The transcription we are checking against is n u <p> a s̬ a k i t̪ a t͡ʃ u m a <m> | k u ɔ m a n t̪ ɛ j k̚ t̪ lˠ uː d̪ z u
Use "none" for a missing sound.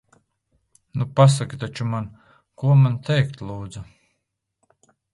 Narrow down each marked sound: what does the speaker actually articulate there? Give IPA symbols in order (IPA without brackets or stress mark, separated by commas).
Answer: p, n